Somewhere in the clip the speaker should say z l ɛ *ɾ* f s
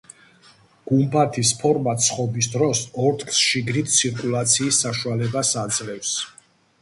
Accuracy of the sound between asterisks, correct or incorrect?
incorrect